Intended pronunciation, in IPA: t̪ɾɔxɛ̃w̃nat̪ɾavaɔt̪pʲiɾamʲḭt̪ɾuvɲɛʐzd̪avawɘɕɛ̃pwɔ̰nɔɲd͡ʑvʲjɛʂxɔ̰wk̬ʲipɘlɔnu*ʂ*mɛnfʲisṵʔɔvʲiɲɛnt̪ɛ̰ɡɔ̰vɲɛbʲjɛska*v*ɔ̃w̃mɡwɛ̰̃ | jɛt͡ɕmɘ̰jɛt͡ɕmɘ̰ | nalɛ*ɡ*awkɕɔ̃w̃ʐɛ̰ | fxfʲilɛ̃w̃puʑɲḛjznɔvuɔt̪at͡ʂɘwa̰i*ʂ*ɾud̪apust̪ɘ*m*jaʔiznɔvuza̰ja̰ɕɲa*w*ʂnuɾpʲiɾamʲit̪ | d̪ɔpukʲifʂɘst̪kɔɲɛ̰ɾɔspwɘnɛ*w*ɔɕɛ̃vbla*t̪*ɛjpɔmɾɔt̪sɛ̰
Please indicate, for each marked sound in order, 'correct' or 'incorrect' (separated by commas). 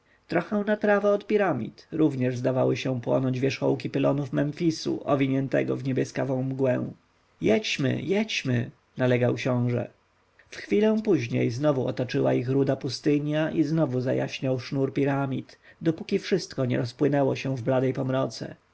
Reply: incorrect, correct, correct, incorrect, incorrect, correct, correct, incorrect